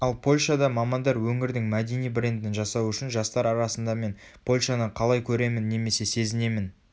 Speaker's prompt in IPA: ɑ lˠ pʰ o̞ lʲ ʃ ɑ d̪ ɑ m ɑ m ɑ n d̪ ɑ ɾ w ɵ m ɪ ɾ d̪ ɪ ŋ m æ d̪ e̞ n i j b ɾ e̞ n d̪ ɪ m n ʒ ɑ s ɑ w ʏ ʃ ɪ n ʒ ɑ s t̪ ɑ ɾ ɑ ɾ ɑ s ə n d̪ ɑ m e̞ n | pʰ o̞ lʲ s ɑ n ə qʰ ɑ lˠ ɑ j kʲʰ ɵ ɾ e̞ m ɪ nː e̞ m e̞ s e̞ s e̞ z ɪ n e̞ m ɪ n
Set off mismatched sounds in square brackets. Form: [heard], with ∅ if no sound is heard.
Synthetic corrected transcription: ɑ lˠ pʰ o̞ lʲ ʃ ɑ d̪ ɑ m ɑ m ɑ n d̪ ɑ ɾ w ɵ [ŋ] ɪ ɾ d̪ ɪ ŋ m æ d̪ e̞ n i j b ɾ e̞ n d̪ ɪ [∅] n ʒ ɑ s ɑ w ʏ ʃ ɪ n ʒ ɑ s t̪ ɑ ɾ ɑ ɾ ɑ s ə n d̪ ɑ m e̞ n | pʰ o̞ lʲ [ʃ] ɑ n ə qʰ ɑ lˠ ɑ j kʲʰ ɵ ɾ e̞ m ɪ nː e̞ m e̞ s e̞ s e̞ z ɪ n e̞ m ɪ n